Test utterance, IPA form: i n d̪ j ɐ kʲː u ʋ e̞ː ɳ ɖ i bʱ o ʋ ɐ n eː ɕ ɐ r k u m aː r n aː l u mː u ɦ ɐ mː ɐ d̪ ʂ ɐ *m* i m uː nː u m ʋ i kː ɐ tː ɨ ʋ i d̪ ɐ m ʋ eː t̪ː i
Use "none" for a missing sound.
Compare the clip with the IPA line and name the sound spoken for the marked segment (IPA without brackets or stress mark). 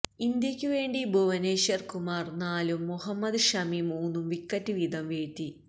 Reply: m